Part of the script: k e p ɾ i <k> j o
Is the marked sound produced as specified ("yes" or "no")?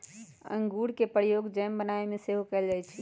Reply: no